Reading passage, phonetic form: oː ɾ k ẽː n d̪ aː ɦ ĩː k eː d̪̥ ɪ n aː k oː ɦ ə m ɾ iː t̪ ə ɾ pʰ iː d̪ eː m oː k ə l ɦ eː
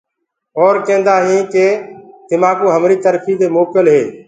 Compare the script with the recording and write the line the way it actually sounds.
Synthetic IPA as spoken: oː ɾ k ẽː n d̪ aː ɦ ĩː k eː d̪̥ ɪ m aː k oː ɦ ə m ɾ iː t̪ ə ɾ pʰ iː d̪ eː m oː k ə l ɦ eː